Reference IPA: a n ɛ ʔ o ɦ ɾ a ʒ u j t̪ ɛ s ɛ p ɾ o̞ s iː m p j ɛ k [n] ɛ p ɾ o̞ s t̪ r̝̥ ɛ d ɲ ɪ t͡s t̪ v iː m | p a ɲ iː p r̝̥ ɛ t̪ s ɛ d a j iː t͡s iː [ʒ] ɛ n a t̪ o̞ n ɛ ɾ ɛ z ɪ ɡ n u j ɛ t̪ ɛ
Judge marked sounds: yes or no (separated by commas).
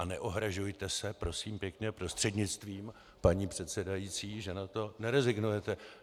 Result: no, yes